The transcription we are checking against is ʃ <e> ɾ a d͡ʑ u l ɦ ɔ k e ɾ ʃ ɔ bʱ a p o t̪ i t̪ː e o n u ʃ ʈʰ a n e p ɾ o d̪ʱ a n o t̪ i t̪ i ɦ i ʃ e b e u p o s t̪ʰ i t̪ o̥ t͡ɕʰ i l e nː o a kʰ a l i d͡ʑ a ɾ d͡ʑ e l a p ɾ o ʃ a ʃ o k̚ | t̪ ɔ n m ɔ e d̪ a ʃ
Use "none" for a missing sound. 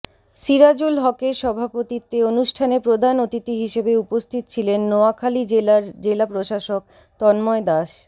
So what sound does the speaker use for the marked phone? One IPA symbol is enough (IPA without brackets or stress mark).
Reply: i